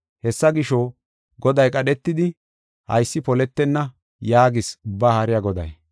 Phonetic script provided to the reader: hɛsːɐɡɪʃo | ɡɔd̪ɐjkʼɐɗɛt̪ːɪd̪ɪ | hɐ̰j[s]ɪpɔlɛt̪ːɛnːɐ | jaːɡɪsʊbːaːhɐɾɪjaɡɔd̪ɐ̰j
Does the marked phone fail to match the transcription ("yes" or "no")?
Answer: yes